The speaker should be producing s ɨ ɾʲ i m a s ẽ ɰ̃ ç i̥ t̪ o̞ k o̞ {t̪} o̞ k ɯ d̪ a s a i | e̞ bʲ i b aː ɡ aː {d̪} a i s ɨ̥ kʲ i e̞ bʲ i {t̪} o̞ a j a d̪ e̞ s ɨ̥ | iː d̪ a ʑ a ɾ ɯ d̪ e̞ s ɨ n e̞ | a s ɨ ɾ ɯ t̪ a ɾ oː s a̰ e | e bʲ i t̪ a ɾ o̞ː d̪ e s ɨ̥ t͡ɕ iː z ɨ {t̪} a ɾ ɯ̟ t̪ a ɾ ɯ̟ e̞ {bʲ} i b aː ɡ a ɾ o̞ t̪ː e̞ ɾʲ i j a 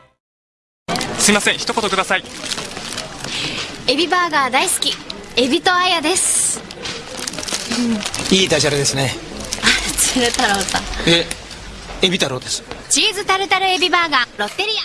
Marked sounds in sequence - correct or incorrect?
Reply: correct, correct, correct, correct, correct

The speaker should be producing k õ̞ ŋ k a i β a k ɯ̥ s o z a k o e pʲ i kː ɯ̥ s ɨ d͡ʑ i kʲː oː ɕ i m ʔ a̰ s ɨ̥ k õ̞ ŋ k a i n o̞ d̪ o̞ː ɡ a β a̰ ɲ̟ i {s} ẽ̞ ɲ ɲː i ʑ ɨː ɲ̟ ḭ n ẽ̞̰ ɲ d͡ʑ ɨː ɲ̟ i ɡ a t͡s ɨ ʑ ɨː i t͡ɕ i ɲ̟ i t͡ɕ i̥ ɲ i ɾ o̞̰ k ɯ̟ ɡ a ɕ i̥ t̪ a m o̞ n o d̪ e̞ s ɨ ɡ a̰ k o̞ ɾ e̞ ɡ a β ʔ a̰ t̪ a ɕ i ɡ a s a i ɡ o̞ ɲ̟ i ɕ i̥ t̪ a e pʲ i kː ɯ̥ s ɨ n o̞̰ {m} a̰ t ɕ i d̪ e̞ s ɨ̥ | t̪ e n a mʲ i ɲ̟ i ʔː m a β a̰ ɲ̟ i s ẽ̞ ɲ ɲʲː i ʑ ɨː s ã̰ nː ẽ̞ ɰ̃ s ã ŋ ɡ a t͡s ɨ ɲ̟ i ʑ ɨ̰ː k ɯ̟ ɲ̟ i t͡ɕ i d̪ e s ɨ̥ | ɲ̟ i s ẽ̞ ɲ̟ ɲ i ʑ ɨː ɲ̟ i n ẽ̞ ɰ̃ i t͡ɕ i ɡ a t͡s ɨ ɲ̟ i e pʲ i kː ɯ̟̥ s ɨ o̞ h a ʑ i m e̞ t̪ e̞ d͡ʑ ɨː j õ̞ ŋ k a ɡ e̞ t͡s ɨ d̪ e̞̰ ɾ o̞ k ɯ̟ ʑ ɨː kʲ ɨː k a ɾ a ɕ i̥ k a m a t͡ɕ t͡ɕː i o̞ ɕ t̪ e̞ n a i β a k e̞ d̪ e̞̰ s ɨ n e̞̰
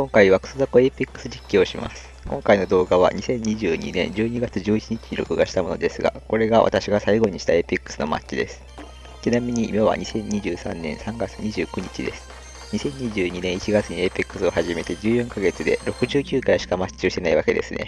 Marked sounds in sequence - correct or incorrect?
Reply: correct, correct

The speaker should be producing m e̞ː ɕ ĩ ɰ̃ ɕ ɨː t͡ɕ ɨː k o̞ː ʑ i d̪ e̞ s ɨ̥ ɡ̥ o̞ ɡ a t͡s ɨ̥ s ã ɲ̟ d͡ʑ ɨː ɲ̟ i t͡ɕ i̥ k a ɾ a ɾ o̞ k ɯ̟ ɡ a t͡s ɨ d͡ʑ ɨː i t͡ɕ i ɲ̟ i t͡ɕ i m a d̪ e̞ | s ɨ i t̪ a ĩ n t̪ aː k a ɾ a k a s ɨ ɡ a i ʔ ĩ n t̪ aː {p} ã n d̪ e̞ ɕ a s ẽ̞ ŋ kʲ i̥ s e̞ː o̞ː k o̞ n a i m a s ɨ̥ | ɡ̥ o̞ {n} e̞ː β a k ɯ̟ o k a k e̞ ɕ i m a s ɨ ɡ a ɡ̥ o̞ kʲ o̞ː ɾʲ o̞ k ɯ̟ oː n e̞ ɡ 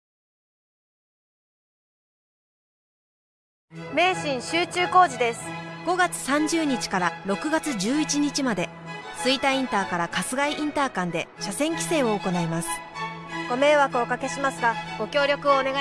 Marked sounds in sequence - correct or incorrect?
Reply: incorrect, incorrect

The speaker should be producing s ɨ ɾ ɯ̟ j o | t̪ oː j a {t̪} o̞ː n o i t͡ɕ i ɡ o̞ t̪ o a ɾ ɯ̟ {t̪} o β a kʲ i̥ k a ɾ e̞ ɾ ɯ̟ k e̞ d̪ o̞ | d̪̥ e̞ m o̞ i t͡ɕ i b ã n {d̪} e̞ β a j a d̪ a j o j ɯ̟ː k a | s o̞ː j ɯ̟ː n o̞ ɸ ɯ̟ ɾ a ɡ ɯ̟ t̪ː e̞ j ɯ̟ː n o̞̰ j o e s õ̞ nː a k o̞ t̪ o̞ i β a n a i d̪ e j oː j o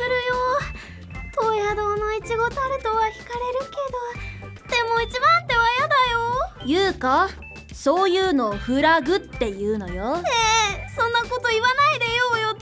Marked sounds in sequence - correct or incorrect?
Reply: incorrect, correct, incorrect

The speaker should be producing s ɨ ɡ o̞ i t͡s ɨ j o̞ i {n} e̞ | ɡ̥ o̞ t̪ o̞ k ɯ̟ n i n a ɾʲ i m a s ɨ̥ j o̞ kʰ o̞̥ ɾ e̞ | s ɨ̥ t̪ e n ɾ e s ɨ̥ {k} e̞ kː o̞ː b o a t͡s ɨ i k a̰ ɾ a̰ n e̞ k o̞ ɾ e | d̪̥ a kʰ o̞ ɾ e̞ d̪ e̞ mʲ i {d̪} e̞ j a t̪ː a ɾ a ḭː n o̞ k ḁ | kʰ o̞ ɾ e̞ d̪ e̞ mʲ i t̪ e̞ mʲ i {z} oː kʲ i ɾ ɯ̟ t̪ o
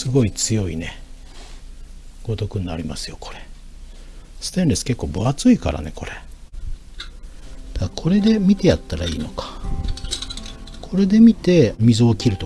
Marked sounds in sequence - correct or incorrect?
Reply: correct, correct, incorrect, correct

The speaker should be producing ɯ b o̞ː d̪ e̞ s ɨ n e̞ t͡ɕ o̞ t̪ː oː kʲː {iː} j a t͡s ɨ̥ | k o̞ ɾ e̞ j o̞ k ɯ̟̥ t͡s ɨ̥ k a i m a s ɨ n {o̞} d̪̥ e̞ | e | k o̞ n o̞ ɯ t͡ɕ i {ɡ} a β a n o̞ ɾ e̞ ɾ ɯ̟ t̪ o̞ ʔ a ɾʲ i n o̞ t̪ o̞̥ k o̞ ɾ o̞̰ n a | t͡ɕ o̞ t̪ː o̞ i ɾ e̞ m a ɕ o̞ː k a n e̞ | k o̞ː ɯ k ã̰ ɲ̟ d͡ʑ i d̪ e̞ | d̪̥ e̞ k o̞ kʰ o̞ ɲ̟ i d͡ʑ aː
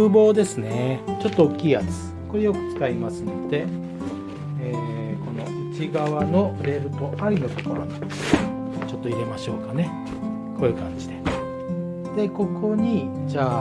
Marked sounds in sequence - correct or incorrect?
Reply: correct, correct, correct

